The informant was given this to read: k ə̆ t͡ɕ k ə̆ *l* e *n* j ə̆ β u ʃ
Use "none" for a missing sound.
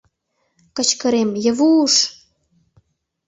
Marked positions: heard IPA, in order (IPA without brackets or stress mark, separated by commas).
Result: ɾ, m